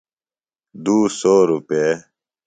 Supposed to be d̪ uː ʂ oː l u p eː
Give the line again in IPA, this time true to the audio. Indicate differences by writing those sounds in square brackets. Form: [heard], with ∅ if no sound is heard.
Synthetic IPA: d̪ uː [s] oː [ɾ] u p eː